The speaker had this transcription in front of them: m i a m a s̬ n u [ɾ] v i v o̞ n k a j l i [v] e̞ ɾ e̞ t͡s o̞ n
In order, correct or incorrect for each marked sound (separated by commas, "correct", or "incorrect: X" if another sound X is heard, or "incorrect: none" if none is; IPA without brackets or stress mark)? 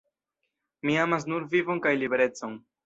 correct, incorrect: b